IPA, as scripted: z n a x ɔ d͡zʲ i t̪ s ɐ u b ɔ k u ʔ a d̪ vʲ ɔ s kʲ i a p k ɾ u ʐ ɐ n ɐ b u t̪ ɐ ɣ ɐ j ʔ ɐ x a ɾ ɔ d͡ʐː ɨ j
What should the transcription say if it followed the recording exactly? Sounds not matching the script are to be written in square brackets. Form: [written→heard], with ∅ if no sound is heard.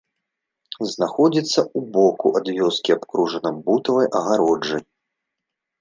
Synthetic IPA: z n a x ɔ d͡zʲ i t̪ [s→sː] ɐ u b ɔ k u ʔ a d̪ vʲ ɔ s kʲ i a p k ɾ u ʐ ɐ n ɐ b u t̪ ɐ [ɣ→v] ɐ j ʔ ɐ [x→ɣ] a ɾ ɔ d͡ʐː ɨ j